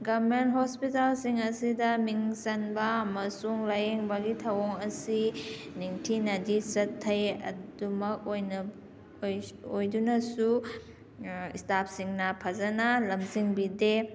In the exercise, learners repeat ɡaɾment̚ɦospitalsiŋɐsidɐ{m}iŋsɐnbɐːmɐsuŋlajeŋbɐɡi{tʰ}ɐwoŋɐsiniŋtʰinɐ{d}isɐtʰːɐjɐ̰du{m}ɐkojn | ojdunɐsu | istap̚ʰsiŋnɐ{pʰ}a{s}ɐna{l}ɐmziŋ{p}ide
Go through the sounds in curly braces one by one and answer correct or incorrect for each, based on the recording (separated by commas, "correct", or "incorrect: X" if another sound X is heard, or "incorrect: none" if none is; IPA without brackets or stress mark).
correct, correct, correct, correct, correct, incorrect: z, correct, incorrect: b